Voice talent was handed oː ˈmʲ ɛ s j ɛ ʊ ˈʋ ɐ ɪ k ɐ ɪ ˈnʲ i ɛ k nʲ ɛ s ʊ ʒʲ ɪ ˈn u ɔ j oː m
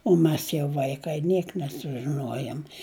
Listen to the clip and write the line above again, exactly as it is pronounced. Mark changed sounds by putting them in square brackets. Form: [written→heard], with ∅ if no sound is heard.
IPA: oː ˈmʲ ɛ s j ɛ ʊ ˈʋ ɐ ɪ k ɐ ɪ ˈnʲ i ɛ k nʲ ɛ s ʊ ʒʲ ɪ ˈn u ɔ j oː m